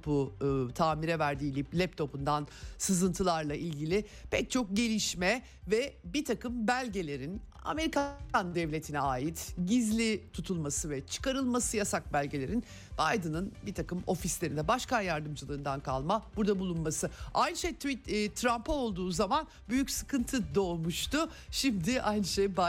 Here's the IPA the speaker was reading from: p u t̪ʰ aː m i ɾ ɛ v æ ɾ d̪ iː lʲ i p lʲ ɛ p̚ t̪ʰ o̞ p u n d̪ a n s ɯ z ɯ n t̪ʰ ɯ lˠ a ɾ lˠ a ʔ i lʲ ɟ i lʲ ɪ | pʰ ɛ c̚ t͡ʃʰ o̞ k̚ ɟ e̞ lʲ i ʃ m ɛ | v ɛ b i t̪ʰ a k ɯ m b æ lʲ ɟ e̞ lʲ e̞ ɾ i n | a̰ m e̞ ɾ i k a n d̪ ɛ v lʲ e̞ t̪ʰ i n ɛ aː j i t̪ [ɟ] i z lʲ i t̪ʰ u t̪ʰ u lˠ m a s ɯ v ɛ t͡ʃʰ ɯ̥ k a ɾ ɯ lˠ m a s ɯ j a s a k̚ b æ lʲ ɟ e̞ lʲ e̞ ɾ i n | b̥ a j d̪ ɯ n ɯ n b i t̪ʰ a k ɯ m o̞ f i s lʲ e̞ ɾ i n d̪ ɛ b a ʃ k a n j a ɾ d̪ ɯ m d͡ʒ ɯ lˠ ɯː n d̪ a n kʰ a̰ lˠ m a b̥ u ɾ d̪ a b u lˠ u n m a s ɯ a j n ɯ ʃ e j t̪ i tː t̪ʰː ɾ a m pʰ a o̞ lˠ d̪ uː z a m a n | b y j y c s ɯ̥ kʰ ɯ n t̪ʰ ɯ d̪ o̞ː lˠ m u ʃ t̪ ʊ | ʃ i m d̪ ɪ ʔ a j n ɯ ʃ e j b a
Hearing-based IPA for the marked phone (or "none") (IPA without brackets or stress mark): ɟ